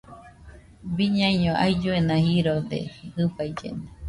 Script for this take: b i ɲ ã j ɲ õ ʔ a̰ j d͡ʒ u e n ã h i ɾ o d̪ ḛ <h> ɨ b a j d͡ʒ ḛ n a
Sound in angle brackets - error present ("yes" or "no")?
no